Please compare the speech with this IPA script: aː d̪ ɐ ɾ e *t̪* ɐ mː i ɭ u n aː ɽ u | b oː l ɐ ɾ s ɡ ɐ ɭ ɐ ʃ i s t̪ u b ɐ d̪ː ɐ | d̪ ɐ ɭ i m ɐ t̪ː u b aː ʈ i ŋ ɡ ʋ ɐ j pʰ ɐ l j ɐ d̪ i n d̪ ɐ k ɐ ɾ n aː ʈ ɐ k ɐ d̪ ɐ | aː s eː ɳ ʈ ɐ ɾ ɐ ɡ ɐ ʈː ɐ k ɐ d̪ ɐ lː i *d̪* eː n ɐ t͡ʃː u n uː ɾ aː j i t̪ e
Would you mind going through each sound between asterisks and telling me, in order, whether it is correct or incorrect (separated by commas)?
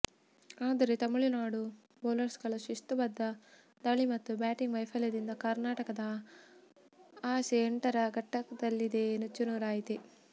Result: correct, correct